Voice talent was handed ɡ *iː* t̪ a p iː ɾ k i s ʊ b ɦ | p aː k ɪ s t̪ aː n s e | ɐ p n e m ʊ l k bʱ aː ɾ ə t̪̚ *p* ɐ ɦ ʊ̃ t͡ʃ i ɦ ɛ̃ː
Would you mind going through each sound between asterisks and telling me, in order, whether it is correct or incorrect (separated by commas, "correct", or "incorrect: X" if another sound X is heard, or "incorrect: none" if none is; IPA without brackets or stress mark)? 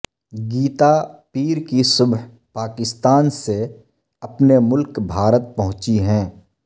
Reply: correct, correct